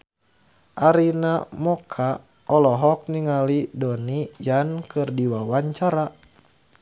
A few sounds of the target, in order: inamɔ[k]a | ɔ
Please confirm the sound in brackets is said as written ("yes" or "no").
no